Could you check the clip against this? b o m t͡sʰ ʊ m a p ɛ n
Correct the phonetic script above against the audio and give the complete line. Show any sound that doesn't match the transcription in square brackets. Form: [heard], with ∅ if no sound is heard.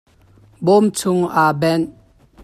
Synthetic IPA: b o m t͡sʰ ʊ [ŋ] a [b] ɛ n